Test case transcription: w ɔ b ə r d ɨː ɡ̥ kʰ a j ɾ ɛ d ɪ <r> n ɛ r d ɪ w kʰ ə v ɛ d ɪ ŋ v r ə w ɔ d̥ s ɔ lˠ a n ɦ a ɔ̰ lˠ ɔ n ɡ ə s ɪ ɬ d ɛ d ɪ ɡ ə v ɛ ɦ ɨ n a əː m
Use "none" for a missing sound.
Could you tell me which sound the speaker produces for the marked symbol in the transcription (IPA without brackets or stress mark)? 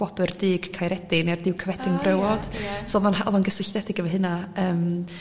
none